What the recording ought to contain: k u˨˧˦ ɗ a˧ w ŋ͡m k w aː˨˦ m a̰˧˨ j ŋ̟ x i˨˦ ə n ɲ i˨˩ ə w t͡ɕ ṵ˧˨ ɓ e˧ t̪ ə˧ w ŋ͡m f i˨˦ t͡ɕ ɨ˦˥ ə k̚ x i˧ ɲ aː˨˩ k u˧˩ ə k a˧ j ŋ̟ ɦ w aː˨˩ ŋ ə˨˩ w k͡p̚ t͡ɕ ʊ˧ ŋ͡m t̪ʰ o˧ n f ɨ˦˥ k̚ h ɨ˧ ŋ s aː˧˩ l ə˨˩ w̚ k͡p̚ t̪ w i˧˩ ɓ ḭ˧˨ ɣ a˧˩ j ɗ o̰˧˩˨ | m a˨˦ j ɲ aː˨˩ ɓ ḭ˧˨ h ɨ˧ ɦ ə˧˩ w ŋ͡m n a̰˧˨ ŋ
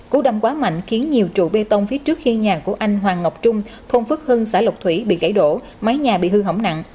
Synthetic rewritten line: k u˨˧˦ ɗ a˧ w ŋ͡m k w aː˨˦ m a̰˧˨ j ŋ̟ x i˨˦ ə n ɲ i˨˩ ə w t͡ɕ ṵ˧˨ ɓ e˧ t̪ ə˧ w ŋ͡m f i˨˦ t͡ɕ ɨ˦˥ ə k̚ x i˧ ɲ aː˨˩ k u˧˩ ə ʔ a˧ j ŋ̟ ɦ w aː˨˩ ŋ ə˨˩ w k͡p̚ t͡ɕ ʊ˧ ŋ͡m t̪ʰ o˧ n f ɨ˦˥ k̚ h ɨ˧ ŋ s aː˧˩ l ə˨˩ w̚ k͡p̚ t̪ʰ w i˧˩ ɓ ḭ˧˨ ɣ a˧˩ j ɗ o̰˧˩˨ | m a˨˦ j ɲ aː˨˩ ɓ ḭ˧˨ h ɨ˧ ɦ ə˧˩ w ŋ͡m n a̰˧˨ ŋ